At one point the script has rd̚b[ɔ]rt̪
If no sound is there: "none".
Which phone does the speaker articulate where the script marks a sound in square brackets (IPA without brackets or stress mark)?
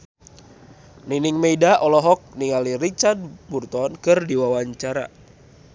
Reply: u